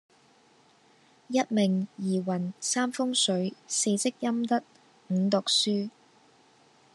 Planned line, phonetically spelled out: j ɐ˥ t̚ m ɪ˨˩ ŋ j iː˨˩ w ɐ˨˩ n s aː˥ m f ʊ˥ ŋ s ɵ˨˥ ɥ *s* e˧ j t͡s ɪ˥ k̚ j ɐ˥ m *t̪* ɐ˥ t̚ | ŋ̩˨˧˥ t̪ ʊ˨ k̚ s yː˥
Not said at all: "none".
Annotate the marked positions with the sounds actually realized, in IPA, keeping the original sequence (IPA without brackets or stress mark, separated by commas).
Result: s, t̪